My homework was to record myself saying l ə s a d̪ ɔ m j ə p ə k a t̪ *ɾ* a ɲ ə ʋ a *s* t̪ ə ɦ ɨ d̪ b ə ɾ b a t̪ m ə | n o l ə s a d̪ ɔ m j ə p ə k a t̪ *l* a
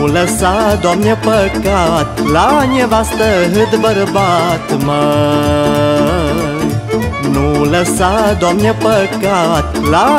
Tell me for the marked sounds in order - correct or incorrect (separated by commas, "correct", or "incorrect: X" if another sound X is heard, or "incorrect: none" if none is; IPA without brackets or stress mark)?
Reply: incorrect: l, correct, correct